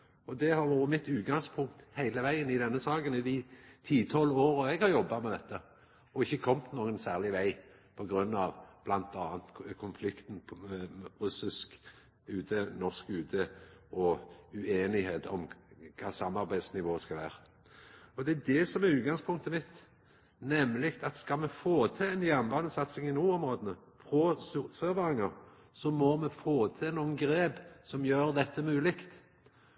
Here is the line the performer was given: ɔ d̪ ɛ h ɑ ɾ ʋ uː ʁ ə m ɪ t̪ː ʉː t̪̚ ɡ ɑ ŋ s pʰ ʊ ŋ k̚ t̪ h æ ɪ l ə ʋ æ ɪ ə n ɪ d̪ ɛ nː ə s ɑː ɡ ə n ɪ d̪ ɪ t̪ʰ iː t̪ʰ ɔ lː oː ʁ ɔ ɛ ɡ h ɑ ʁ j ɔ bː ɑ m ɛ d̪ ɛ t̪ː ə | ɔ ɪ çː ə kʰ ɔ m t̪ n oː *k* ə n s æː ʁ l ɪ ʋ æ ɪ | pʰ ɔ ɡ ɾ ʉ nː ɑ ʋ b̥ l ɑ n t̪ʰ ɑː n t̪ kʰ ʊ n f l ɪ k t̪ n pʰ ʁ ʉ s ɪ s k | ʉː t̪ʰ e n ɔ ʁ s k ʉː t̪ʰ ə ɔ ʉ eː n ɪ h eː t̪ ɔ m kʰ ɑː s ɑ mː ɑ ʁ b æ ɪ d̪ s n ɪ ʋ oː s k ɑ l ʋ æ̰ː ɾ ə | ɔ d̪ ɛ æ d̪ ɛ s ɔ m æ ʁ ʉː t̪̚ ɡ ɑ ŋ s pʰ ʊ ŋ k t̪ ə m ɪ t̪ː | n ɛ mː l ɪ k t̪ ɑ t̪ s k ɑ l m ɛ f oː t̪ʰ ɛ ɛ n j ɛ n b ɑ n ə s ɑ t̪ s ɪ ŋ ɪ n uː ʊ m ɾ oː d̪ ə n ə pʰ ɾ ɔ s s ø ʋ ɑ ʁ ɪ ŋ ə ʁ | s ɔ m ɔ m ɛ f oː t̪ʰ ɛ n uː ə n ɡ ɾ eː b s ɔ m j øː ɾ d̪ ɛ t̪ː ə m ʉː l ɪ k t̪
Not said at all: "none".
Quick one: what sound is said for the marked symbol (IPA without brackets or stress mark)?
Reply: ɡ